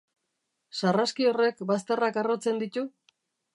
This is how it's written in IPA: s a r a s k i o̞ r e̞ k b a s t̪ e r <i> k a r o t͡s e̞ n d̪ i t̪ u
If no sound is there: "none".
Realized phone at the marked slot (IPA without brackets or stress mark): a